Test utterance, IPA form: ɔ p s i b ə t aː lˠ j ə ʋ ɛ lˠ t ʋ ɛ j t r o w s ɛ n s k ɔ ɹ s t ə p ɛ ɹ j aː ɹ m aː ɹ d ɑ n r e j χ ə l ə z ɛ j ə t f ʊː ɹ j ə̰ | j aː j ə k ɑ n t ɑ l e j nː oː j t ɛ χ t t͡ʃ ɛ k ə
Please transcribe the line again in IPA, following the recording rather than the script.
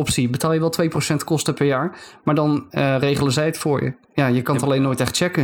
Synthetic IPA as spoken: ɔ p s i b ə t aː lˠ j ə ʋ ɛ lˠ t ʋ e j p r o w s ɛ n t k ɔ s t ə p ɛ ɹ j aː ɹ m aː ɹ d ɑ n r e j χ ə l ə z ɛ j ə t f ʊː ɹ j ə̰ | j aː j ə k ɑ n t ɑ l e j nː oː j t ɛ χ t t͡ʃ ɛ k ə